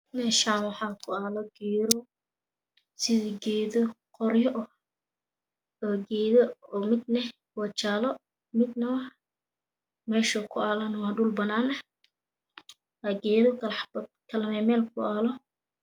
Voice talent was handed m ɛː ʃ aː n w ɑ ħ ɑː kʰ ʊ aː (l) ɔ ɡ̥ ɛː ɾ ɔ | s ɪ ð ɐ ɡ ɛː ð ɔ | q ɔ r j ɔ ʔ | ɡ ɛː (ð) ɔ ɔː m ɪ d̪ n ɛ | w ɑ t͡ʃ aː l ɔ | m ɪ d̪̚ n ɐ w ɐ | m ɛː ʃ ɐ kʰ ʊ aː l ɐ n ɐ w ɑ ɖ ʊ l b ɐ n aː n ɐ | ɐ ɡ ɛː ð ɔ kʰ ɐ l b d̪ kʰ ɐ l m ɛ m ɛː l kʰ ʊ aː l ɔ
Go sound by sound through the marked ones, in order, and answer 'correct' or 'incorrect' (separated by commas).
correct, correct